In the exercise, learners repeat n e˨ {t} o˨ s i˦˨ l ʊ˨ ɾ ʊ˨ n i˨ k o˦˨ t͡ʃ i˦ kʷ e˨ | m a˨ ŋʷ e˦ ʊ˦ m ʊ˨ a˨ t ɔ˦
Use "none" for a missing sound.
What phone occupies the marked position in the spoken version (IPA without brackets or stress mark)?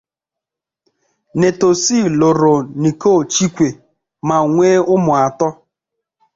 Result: t